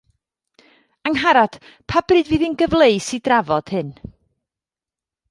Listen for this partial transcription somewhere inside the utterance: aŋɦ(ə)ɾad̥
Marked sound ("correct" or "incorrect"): incorrect